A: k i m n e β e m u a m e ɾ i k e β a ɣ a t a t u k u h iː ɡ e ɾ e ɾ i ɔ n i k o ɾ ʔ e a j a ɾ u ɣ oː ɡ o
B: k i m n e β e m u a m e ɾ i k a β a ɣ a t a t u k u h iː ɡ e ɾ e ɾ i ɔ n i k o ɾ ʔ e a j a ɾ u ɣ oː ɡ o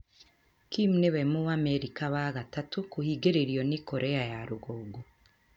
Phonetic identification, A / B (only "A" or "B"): B